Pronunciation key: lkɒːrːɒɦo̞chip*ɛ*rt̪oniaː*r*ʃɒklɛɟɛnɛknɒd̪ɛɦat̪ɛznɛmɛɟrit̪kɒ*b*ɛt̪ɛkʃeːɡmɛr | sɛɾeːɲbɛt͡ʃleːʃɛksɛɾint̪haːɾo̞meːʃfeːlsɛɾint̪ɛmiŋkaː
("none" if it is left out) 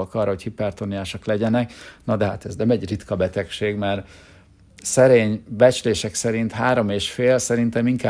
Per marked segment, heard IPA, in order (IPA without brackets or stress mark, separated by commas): ɛ, none, b